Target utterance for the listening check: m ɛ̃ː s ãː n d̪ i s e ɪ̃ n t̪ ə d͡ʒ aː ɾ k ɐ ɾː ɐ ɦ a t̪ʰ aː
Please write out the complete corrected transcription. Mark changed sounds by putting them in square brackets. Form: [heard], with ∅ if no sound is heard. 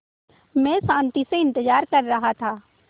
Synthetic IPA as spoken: m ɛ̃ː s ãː n [t̪] i s e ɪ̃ n t̪ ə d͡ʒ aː ɾ k ɐ ɾː ɐ ɦ a t̪ʰ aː